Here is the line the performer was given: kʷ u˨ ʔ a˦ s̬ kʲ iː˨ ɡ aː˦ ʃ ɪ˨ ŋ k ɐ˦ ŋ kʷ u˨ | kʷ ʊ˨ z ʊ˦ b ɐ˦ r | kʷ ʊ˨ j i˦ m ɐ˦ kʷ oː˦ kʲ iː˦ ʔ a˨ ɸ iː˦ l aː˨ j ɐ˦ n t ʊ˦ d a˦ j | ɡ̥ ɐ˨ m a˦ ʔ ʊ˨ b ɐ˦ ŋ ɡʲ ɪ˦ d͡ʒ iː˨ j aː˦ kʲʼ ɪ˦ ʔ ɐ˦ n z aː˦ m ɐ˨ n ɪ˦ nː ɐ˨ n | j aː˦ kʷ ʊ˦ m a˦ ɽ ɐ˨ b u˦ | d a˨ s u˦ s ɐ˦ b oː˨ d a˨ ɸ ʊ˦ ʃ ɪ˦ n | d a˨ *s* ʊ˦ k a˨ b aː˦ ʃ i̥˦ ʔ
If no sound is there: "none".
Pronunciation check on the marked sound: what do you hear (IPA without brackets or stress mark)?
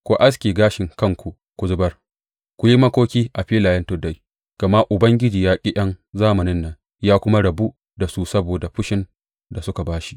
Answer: s